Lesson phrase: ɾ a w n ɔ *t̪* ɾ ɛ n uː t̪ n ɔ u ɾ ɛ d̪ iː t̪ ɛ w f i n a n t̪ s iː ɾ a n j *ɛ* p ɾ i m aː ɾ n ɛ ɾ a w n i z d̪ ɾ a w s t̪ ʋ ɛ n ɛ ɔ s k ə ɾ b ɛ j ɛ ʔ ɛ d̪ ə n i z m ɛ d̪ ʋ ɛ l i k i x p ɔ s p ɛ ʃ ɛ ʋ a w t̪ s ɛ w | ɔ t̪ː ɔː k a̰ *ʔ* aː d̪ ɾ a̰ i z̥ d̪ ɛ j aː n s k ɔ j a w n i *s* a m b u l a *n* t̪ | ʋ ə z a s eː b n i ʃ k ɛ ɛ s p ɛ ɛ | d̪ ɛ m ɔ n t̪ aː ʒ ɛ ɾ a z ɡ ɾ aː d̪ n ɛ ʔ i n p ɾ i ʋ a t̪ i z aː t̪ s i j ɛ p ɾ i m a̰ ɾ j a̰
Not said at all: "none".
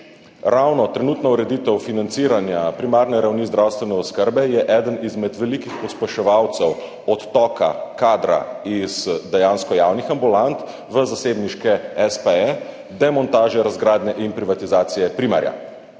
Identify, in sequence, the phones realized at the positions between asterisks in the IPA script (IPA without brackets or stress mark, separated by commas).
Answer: t̪, a, k, x, n